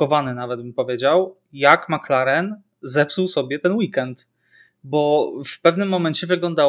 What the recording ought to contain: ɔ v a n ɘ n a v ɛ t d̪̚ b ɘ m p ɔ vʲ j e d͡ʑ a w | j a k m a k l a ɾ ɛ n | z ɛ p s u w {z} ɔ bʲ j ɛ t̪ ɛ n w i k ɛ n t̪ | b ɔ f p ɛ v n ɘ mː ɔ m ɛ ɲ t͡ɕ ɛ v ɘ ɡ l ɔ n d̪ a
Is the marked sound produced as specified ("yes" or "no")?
no